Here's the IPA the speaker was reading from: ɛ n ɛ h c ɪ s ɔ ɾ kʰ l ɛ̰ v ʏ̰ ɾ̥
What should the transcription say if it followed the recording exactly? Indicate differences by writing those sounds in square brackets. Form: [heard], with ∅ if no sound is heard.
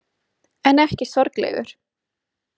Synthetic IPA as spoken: ɛ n ɛ h c ɪ s ɔ ɾ [k] l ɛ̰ [ɣ] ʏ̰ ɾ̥